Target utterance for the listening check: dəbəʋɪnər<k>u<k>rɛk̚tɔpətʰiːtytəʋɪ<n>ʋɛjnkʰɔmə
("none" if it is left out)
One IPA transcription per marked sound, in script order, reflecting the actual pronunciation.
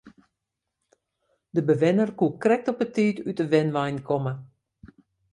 k, k, n

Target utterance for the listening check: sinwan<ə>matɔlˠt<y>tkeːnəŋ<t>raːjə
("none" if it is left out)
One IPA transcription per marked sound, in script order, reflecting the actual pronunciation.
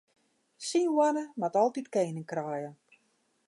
ə, i, k

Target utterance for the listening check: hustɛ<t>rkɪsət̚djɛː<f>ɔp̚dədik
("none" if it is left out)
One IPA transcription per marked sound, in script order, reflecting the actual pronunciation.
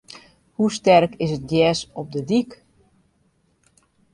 none, s

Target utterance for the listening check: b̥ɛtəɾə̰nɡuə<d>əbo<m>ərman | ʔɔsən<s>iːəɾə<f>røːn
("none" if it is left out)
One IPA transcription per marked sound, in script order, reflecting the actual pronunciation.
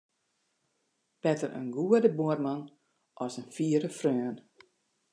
d, none, f, f

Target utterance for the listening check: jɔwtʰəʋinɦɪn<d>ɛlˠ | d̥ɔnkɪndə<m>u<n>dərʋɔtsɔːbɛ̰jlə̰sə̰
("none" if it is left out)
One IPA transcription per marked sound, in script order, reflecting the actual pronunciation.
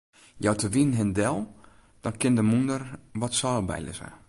d, m, n

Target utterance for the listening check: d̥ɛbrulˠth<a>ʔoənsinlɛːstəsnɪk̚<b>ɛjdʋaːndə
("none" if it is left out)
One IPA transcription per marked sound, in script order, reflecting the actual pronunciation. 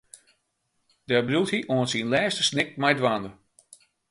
i, m

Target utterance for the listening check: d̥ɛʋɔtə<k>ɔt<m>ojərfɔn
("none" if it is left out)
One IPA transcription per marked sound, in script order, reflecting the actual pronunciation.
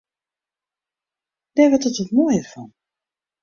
t, m

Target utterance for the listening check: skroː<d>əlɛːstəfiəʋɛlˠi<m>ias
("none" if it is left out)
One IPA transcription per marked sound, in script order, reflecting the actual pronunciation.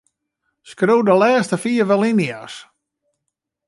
d, n

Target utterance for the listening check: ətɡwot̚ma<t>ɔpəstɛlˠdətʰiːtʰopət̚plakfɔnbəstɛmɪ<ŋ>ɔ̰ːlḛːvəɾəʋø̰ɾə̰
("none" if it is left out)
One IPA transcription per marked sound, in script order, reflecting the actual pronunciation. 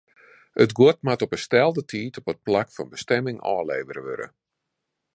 t, ŋ

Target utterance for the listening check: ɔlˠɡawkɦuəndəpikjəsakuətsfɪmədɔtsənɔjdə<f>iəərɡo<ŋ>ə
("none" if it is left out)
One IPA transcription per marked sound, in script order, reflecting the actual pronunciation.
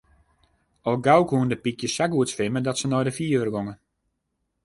f, ŋ

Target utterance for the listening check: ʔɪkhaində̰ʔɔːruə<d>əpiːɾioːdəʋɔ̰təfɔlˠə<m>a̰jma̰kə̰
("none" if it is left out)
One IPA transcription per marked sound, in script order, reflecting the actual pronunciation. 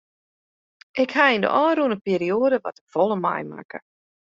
n, m

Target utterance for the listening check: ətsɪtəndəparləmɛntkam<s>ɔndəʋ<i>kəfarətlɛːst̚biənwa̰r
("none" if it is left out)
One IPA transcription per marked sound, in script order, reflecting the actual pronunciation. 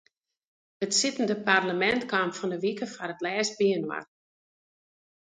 f, i

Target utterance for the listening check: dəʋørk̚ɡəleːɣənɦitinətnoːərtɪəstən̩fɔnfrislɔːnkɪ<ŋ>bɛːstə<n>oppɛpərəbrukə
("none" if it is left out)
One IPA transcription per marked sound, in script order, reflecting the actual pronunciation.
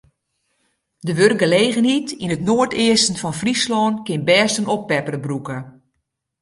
n, n

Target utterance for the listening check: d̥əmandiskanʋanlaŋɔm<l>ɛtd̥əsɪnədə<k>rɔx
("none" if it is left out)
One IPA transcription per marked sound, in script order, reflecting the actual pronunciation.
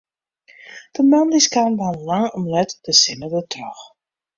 l, t

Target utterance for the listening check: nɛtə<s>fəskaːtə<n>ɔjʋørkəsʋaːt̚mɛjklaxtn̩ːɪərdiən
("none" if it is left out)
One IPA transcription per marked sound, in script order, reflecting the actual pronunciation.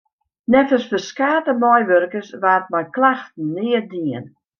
s, m

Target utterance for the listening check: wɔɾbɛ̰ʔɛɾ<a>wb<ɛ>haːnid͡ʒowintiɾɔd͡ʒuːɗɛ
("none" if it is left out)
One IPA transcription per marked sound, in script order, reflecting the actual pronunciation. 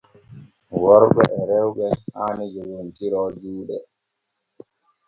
ɛ, ɛ

